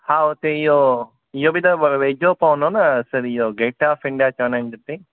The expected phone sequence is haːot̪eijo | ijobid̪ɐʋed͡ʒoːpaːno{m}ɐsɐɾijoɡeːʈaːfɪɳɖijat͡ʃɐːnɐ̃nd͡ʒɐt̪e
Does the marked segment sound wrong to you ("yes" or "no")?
yes